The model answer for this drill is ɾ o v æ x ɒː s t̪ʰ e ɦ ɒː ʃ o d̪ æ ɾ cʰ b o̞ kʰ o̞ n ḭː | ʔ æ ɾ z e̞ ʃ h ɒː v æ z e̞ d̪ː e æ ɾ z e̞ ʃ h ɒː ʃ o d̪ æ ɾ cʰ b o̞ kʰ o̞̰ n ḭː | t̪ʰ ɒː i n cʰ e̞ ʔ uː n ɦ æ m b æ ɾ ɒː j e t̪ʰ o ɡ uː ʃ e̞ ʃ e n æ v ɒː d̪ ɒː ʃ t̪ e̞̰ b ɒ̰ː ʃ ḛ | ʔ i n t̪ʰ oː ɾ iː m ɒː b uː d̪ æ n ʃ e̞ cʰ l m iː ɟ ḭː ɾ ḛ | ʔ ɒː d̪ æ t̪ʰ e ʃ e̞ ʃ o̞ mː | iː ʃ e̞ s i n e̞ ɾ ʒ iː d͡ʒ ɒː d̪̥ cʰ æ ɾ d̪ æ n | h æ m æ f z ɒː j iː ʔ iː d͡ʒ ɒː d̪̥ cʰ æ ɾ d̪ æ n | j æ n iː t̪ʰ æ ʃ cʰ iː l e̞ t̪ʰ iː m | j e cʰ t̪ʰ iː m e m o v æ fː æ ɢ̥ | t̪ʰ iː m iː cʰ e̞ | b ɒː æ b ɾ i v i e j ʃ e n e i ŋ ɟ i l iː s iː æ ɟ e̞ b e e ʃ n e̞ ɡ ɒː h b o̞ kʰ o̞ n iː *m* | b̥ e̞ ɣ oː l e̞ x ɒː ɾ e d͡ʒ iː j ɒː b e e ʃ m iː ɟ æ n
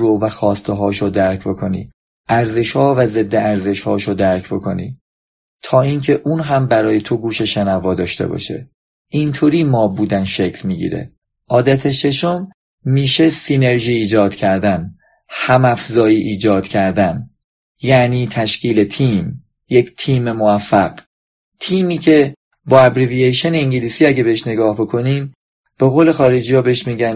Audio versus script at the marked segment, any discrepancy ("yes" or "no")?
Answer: no